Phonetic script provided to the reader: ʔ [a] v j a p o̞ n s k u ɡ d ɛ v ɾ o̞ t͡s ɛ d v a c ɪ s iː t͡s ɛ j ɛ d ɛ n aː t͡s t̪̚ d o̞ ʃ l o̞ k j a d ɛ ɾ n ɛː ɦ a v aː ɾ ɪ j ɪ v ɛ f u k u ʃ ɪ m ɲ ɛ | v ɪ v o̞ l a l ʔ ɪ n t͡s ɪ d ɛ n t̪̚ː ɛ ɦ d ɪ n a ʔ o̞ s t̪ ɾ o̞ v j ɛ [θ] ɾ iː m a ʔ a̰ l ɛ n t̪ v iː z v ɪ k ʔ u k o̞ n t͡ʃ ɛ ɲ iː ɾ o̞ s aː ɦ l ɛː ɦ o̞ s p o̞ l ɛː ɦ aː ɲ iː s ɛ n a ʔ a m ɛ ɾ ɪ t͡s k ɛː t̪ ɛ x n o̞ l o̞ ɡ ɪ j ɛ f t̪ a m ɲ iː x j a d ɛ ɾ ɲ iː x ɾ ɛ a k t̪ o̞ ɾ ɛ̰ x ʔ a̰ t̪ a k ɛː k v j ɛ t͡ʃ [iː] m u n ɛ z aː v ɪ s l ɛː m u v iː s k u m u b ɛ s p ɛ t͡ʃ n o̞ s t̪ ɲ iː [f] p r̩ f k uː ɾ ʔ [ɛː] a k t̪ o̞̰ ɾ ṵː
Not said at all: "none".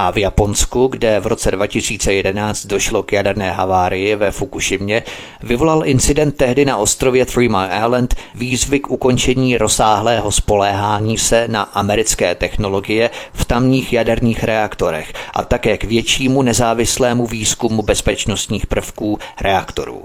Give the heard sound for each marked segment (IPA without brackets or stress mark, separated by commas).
a, θ, iː, x, ɛ